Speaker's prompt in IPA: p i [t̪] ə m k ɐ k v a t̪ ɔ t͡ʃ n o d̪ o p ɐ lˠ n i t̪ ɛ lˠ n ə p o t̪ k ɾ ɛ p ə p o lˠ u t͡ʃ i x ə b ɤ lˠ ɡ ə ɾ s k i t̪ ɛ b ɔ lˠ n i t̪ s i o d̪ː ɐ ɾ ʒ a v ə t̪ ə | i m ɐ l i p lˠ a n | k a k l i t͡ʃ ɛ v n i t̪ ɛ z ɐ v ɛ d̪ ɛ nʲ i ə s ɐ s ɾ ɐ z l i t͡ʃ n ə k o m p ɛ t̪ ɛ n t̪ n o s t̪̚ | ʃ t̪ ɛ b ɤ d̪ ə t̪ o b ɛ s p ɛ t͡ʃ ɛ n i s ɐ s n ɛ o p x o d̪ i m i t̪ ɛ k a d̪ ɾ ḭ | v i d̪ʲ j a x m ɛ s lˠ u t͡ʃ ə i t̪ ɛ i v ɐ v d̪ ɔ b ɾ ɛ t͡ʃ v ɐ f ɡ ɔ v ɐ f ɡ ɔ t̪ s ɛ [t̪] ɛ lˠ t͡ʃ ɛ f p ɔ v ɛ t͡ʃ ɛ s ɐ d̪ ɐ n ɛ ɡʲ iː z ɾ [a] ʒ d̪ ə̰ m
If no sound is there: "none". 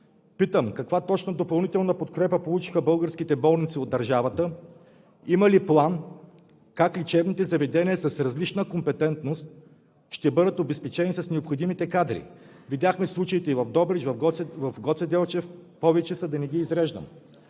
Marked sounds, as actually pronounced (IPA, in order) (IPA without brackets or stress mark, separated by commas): t̪, d̪, ɛ